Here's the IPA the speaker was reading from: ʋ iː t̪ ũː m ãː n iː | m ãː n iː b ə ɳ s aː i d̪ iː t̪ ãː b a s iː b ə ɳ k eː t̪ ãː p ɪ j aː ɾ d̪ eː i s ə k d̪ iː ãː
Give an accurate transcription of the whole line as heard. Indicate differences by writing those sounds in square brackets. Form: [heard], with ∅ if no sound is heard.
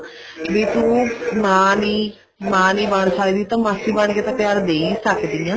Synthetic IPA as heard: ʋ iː t̪ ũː m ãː n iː | m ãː n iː b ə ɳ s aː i d̪ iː t̪ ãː [m] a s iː b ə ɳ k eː t̪ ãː p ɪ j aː ɾ d̪ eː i s ə k d̪ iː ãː